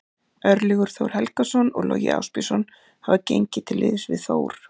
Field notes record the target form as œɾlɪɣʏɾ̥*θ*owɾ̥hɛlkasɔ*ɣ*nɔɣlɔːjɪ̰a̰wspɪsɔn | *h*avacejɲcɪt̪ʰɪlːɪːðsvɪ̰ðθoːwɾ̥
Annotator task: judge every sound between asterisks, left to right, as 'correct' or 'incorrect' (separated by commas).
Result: correct, incorrect, correct